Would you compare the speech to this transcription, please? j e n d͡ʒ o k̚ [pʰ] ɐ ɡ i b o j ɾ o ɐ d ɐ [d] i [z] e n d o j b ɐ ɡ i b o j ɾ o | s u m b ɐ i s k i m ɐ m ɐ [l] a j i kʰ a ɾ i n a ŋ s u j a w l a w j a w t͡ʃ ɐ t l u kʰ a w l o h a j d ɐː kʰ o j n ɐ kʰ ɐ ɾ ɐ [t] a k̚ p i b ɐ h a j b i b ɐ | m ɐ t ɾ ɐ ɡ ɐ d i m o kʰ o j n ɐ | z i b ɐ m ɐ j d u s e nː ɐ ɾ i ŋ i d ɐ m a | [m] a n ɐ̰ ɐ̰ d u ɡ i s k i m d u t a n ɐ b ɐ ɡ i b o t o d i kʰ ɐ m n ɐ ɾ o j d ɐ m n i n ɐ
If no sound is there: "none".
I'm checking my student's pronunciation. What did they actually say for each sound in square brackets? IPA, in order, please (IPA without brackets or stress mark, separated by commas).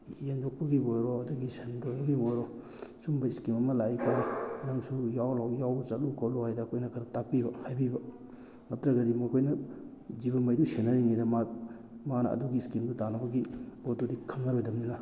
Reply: p, ɡ, s, l, t, m